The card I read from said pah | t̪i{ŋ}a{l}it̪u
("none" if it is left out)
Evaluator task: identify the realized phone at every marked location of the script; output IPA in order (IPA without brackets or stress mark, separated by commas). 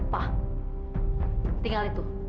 ŋ, l